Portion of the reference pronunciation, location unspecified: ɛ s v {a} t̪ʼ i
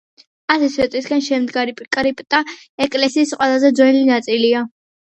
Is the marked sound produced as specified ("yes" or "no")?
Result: no